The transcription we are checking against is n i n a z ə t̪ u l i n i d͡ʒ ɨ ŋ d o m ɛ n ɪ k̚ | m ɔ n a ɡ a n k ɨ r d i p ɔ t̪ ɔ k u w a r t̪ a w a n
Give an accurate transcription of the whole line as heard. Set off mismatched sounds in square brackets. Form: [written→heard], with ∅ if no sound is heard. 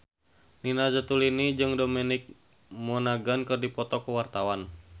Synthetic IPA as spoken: n i n a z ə t̪ u l i n i d͡ʒ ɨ ŋ d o m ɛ n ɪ k̚ | m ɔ n a ɡ a n k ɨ r d i p ɔ t̪ ɔ k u w a r t̪ a w a n